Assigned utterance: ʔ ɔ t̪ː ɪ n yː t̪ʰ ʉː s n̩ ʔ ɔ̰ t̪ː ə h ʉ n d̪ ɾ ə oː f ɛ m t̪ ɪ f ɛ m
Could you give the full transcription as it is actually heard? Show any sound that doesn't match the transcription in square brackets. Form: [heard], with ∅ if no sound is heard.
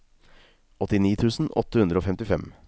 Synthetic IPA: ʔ ɔ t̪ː ɪ n [iː] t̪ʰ ʉː s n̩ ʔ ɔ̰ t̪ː ə h ʉ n d̪ ɾ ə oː f ɛ m t̪ ɪ f ɛ m